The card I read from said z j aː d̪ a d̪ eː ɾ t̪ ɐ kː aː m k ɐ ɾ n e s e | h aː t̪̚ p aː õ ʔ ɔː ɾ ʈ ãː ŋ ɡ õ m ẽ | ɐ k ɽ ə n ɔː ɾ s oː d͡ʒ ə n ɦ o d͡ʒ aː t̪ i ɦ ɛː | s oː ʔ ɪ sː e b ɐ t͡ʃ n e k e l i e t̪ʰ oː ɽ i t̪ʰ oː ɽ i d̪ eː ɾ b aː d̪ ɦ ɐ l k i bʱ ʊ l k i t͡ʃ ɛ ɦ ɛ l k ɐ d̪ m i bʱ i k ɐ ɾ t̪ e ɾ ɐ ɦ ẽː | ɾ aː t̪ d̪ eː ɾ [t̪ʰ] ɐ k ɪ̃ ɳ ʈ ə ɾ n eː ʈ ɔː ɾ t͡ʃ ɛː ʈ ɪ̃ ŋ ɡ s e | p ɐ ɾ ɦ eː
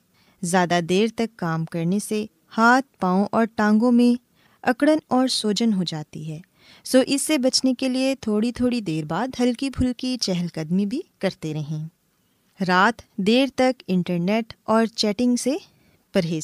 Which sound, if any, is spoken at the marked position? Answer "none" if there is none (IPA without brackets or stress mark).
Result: t̪